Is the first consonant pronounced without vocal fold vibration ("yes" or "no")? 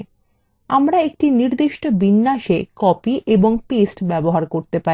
no